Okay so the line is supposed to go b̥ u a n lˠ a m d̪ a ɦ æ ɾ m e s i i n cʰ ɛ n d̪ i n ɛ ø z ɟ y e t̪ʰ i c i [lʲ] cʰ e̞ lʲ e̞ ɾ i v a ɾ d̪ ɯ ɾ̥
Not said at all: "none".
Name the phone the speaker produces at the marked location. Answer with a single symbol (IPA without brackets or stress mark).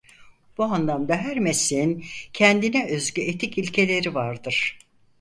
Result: lʲ